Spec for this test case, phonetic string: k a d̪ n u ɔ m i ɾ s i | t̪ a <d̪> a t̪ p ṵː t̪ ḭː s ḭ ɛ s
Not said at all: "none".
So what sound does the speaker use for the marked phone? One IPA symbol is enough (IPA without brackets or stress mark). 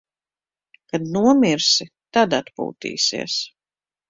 d̪